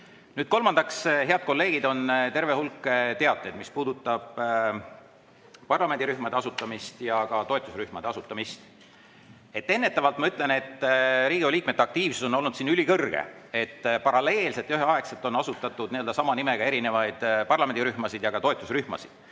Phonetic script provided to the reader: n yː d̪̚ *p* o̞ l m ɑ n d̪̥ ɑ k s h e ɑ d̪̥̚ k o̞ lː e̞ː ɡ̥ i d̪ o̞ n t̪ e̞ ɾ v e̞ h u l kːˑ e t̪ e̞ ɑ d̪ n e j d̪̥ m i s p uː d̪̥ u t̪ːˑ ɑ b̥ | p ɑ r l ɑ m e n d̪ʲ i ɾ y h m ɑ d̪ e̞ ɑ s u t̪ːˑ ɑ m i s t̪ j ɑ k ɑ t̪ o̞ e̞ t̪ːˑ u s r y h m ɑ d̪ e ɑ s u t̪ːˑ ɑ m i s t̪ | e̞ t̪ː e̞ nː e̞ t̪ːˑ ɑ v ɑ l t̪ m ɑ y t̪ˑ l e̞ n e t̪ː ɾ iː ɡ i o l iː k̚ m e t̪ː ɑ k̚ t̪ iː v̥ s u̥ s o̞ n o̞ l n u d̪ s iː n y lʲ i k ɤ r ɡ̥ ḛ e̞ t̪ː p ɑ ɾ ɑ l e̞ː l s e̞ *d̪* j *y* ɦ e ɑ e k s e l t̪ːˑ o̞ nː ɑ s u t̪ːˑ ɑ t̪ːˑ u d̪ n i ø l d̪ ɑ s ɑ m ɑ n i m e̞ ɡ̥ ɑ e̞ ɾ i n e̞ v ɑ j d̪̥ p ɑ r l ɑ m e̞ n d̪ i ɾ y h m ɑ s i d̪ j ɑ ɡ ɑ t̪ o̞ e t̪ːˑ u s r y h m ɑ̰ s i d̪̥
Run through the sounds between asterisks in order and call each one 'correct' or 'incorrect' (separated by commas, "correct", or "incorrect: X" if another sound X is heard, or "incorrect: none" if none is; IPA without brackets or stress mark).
incorrect: k, incorrect: t̪, correct